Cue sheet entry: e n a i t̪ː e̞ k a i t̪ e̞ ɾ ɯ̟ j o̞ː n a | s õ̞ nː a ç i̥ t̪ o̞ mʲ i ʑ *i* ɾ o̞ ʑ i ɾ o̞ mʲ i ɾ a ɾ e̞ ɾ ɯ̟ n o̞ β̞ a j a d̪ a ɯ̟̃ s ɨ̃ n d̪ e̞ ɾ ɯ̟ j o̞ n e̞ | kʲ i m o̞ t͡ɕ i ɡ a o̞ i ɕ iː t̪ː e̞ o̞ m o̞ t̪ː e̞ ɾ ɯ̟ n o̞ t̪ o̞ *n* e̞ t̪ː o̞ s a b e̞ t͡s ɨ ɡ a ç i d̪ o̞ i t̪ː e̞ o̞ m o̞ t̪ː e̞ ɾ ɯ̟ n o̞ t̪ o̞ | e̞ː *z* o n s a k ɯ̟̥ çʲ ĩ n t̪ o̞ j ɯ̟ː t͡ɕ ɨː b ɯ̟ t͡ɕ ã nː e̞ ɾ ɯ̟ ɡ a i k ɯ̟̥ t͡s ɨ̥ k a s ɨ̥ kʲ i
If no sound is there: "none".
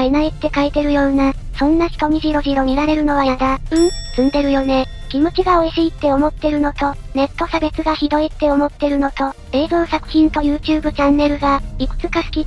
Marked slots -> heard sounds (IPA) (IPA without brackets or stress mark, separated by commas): i, n, z